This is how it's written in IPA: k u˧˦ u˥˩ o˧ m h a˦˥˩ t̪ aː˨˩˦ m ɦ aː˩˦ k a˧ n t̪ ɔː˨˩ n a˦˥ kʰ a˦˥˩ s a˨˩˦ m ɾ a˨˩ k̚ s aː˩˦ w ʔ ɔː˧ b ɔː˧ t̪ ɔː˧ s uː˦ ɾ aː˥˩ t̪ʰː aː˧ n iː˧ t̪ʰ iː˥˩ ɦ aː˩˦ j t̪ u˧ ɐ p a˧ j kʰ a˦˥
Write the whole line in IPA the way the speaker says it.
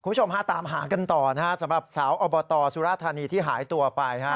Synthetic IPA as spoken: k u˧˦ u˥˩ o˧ m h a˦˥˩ t̪ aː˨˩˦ m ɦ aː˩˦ k a˧ n t̪ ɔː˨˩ n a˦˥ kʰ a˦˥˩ s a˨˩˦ m ɾ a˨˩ p̚ s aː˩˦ w ʔ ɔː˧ b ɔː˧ t̪ ɔː˧ s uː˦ ɾ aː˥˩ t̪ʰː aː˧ n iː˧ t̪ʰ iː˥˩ ɦ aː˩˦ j t̪ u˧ ɐ p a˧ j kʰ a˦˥